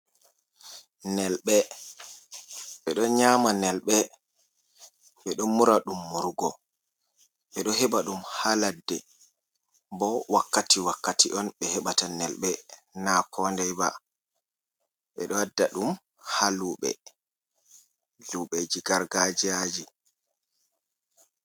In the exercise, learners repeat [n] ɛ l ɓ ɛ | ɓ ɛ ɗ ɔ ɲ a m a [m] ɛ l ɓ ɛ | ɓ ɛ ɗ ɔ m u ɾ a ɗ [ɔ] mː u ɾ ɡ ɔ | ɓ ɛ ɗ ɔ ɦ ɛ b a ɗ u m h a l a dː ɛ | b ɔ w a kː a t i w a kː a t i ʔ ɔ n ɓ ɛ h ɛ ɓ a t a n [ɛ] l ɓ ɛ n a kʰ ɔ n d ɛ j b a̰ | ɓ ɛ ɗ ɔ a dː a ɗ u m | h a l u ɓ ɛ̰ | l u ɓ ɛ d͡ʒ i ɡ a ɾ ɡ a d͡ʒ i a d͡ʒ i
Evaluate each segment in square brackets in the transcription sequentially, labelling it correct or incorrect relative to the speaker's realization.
correct, incorrect, incorrect, correct

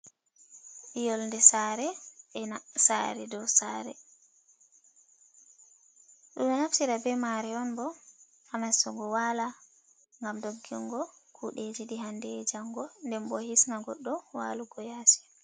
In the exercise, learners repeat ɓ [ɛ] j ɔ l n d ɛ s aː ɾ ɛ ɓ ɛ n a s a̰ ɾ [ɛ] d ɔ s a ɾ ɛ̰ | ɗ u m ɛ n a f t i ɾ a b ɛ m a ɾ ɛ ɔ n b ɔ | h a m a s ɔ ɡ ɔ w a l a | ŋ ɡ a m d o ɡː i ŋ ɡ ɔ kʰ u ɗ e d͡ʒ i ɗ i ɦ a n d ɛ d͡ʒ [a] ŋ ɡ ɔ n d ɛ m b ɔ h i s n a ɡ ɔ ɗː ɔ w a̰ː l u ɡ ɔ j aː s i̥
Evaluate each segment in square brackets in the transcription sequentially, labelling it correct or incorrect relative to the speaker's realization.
incorrect, correct, correct

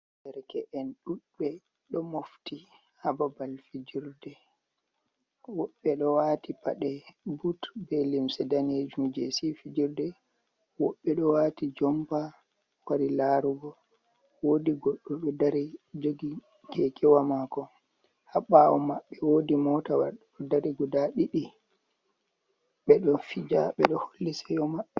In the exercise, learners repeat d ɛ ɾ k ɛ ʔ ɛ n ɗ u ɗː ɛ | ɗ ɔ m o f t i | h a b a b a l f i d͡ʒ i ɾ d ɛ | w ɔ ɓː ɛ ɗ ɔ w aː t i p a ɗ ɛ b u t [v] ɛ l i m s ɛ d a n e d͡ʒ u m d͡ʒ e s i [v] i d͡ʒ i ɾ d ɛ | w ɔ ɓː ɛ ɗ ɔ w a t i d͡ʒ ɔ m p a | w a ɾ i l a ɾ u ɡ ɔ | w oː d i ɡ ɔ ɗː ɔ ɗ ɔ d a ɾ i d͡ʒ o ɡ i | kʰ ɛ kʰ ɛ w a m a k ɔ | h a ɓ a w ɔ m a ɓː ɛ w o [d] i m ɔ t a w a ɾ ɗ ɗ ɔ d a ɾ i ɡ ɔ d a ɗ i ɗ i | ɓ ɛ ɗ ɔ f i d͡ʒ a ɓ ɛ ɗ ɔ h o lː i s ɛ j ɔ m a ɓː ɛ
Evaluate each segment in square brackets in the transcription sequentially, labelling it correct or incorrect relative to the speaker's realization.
incorrect, incorrect, correct

